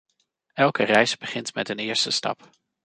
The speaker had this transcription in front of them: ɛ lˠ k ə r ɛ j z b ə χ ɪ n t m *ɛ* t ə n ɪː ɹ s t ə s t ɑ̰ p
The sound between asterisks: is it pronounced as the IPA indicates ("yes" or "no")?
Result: yes